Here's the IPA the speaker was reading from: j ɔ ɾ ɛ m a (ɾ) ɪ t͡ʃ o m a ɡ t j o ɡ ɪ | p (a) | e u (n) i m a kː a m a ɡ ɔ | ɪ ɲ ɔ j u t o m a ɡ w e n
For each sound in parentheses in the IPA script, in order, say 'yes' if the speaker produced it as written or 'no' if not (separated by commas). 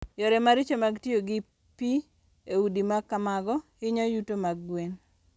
yes, no, no